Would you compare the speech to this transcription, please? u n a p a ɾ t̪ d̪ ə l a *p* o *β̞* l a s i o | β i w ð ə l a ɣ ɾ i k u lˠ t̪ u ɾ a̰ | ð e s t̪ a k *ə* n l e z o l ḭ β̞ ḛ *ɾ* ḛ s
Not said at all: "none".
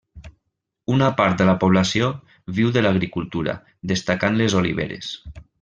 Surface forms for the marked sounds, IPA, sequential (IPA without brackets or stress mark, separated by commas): p, β̞, a, ɾ